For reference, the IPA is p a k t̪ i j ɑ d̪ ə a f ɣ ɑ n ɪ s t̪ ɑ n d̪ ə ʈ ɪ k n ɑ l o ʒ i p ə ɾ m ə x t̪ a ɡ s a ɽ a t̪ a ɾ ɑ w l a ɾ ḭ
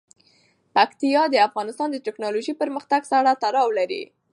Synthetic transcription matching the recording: p a k t̪ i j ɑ d̪ ə a f ɣ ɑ n ɪ s t̪ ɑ n d̪ ə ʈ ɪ k n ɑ l o ʒ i p ə ɾ m ə x t̪ a ɡ s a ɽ a t̪ a ɾ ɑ w l a ɾ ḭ